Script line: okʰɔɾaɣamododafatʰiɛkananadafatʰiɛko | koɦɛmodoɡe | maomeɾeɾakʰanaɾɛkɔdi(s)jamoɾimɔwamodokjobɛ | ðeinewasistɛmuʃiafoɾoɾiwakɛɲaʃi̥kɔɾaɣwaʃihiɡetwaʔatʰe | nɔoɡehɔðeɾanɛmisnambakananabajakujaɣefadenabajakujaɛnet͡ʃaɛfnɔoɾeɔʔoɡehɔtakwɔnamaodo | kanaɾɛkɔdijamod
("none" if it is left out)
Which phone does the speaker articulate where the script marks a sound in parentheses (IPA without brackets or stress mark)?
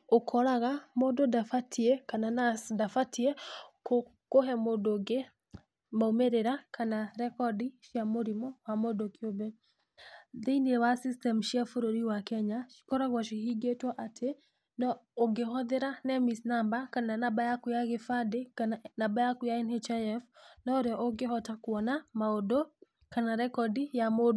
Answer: ʃ